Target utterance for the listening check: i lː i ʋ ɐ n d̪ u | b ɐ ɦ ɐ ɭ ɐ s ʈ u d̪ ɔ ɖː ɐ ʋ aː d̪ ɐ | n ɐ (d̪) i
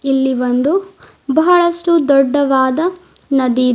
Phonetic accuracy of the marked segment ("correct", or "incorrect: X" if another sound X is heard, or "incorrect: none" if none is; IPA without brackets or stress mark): correct